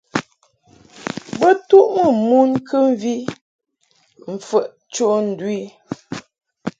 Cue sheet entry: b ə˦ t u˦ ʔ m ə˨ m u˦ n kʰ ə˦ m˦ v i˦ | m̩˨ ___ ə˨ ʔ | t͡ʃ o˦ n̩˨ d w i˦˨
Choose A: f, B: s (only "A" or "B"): A